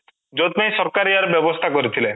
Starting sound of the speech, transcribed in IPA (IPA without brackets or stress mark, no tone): d͡ʒ